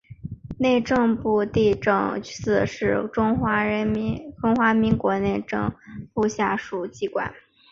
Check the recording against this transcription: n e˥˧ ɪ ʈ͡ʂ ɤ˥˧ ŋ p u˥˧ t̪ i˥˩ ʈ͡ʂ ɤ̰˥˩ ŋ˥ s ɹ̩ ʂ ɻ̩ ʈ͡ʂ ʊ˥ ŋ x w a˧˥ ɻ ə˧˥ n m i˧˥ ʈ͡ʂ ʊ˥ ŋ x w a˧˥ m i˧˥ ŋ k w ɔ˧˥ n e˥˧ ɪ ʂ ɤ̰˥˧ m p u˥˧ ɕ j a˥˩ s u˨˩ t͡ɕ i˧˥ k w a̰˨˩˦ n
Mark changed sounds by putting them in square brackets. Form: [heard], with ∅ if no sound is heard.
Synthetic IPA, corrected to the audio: n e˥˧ ɪ ʈ͡ʂ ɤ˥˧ ŋ p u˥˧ t̪ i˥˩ ʈ͡ʂ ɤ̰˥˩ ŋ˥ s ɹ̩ ʂ ɻ̩ ʈ͡ʂ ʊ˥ ŋ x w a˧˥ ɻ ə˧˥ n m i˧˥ ʈ͡ʂ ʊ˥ ŋ x w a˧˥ m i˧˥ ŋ k w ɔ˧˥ n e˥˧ ɪ [ʈ͡ʂ] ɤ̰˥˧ [ŋ] p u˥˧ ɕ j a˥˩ [ʂ] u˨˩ t͡ɕ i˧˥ k w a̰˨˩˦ n